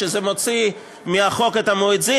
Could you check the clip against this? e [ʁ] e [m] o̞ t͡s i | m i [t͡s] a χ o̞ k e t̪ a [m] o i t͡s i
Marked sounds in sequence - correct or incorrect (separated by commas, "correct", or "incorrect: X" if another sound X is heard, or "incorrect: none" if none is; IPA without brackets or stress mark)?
incorrect: z, correct, incorrect: none, correct